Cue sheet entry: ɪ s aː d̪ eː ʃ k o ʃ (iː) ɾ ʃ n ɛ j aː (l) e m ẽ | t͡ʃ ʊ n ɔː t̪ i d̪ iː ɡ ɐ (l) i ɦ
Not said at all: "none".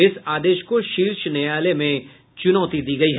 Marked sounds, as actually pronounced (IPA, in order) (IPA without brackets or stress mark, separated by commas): iː, l, none